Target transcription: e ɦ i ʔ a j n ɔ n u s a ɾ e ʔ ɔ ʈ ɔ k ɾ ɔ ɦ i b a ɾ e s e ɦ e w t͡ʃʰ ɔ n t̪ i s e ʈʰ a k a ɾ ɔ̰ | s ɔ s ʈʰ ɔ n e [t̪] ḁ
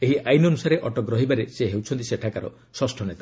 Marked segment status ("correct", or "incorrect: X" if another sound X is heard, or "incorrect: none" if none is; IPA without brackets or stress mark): correct